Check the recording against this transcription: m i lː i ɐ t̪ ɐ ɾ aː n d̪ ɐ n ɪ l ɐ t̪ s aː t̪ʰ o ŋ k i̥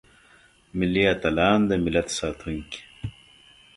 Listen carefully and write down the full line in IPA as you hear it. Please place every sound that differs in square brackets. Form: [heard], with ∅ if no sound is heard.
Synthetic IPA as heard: m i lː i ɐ t̪ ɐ [l] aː n d̪ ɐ [m] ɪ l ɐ t̪ s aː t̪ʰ [u] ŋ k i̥